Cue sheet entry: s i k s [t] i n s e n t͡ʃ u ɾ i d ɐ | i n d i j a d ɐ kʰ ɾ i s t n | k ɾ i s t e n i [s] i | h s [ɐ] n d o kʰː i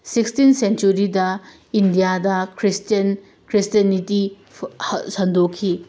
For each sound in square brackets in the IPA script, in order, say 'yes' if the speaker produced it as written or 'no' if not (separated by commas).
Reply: yes, no, yes